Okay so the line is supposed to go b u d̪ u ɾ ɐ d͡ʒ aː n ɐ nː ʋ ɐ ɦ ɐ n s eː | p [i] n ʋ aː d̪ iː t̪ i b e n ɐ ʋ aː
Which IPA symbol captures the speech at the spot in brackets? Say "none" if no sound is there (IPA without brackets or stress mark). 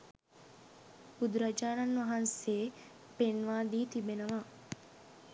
e